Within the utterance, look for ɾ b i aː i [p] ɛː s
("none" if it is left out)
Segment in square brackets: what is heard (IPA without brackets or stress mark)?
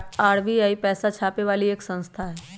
p